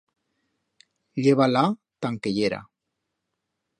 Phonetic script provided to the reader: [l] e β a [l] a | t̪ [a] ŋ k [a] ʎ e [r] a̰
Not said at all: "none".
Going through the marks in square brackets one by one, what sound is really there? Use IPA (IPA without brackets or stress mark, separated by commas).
ʎ, l, a, e, ɾ